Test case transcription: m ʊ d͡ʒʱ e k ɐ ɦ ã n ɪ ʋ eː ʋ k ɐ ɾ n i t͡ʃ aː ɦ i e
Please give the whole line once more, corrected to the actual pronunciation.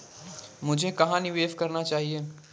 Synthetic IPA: m ʊ d͡ʒʱ e k ɐ ɦ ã n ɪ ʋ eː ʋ k ɐ ɾ n a t͡ʃ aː ɦ i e